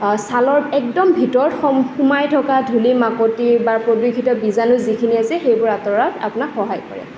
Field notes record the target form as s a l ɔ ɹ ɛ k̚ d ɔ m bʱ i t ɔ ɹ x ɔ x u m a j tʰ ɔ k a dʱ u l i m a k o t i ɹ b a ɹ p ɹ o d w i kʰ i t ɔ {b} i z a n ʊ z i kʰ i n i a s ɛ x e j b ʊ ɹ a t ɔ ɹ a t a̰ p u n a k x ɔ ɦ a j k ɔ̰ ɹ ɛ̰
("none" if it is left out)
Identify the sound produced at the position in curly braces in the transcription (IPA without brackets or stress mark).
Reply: b